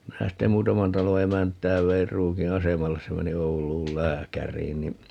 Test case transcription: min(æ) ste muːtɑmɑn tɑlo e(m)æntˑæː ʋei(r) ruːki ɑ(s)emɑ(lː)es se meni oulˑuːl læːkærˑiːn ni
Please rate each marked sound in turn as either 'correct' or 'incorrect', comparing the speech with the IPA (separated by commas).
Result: correct, correct, correct, correct, correct